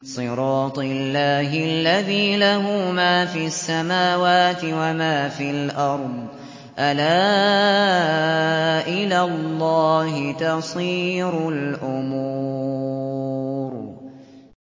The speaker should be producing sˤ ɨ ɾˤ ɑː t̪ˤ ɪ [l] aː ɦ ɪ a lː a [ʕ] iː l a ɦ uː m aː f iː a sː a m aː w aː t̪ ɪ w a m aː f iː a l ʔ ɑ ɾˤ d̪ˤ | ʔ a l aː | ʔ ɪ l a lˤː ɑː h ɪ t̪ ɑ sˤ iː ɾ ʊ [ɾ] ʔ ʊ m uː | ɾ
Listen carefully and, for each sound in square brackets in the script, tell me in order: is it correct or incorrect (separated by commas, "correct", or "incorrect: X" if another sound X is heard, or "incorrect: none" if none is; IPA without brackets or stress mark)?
incorrect: lː, incorrect: ð, incorrect: l